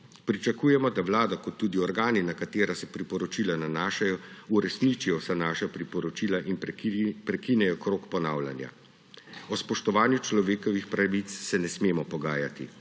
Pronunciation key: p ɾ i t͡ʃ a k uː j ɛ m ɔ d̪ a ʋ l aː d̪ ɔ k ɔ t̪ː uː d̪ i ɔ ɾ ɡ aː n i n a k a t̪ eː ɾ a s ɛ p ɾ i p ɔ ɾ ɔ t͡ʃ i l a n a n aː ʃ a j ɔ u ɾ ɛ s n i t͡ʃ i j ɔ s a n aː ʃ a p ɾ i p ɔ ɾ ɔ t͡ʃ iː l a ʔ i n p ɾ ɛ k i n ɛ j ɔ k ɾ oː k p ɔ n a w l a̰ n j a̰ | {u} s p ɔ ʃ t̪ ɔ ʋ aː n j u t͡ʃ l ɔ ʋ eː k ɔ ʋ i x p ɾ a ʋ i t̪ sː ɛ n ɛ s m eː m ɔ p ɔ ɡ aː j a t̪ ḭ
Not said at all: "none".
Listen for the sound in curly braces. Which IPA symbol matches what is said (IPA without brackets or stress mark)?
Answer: ɔ